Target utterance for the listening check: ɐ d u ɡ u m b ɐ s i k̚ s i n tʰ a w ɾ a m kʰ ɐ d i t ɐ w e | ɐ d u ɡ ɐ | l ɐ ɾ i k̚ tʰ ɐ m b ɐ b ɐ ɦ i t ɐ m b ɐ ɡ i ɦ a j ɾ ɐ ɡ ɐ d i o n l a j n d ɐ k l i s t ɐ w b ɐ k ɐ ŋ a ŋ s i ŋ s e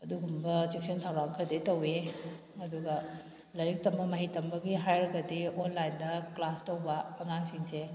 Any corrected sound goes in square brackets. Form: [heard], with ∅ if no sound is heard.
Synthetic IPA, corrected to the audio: ɐ d u ɡ u m b ɐ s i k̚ s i n tʰ a w ɾ a [ŋ] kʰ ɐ d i t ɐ w e | ɐ d u ɡ ɐ | l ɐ ɾ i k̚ [t] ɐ m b ɐ [m] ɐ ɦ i t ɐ m b ɐ ɡ i ɦ a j ɾ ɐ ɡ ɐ d i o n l a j n d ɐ k l [a] s t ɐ w b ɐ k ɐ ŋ a ŋ s i ŋ s e

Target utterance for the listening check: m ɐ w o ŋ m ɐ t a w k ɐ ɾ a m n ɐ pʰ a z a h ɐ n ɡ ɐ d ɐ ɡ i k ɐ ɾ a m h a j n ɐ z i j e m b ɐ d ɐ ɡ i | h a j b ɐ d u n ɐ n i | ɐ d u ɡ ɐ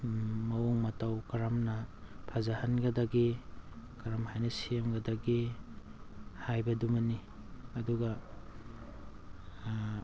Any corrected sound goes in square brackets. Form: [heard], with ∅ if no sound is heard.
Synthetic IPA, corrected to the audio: m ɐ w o ŋ m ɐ t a w k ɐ ɾ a m n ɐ pʰ a z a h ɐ n ɡ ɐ d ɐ ɡ i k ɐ ɾ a m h a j n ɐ [s] i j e m [ɡ] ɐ d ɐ ɡ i | h a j b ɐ d u [m] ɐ n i | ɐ d u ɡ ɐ

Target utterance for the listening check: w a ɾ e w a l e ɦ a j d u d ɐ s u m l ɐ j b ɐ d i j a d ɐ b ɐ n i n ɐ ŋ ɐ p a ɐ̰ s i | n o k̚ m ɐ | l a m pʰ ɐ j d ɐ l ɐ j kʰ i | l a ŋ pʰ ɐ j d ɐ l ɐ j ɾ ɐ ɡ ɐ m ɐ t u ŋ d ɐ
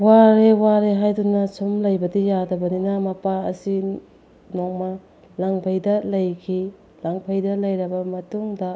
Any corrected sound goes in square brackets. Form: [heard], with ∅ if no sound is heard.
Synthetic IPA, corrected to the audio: w a ɾ e w a [ɾ] e ɦ a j d u [n] ɐ s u m l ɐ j b ɐ d i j a d ɐ b ɐ n i n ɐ [m] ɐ p a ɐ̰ s i | n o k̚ m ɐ | l a [ŋ] pʰ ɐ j d ɐ l ɐ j kʰ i | l a ŋ pʰ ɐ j d ɐ l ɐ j ɾ ɐ [b] ɐ m ɐ t u ŋ d ɐ

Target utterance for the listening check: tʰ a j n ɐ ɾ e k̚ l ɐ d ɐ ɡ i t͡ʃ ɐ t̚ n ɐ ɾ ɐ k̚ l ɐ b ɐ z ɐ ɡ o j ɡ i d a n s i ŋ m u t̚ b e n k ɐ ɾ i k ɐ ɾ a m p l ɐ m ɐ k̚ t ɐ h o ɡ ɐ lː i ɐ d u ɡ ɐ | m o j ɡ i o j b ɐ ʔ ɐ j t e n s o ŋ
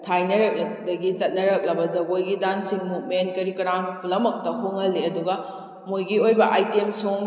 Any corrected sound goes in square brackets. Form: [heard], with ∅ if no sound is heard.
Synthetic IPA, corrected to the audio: tʰ a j n ɐ ɾ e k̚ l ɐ d ɐ ɡ i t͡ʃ ɐ t̚ n ɐ ɾ ɐ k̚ l ɐ b ɐ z ɐ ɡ o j ɡ i d a n s i ŋ m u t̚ [m] e n k ɐ ɾ i k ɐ ɾ a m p l ɐ m ɐ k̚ t ɐ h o [ŋ] ɐ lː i ɐ d u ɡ ɐ | m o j ɡ i o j b ɐ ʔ [a] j t e [m] s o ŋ

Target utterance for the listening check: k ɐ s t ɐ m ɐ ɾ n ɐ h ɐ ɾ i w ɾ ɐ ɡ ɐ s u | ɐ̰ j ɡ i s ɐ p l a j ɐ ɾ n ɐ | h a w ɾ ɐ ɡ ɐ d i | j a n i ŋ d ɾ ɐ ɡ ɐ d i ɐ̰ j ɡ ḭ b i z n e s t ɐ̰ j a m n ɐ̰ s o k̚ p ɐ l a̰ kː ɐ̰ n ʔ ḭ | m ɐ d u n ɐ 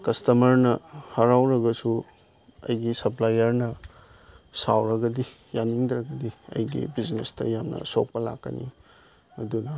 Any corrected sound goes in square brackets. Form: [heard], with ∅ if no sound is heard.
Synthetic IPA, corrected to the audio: k ɐ s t ɐ m ɐ ɾ n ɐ h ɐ ɾ [a] w ɾ ɐ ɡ ɐ s u | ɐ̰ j ɡ i s ɐ p l a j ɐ ɾ n ɐ | [s] a w ɾ ɐ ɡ ɐ d i | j a n i ŋ d ɾ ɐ ɡ ɐ d i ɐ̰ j ɡ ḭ b i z n e s t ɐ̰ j a m n ɐ̰ s o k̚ p ɐ l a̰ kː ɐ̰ n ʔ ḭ | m ɐ d u n ɐ

